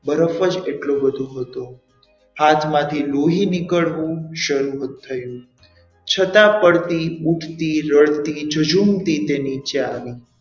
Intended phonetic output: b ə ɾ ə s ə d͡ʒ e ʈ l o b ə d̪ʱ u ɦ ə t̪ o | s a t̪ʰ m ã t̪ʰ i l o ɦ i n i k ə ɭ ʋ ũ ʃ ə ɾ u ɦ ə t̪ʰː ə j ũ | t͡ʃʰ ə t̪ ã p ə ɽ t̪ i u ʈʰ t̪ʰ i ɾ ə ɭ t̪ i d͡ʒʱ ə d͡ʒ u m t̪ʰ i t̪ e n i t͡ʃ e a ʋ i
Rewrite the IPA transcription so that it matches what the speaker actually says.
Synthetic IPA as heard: b ə ɾ ə f ə d͡ʒ e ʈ l o b ə d̪ʱ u ɦ ə t̪ o | h a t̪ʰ m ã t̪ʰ i l o ɦ i n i k ə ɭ ʋ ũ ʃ ə ɾ u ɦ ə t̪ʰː ə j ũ | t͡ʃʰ ə t̪ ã p ə ɽ t̪ i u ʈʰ t̪ i ɾ ə ɭ t̪ i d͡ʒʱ ə d͡ʒ u m t̪ i t̪ e n i t͡ʃ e a ʋ i